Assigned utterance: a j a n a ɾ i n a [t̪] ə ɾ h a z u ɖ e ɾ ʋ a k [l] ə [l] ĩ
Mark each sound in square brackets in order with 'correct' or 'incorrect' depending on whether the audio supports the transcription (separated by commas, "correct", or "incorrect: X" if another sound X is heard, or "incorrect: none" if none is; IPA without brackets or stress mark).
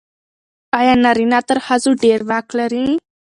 correct, correct, incorrect: ɾ